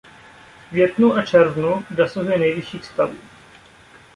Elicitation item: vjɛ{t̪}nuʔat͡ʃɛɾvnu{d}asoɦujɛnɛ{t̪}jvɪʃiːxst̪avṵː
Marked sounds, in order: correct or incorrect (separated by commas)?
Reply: correct, correct, incorrect